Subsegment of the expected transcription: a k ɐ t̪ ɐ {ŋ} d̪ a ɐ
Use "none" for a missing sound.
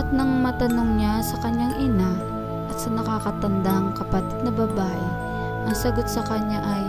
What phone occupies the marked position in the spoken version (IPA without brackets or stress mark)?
n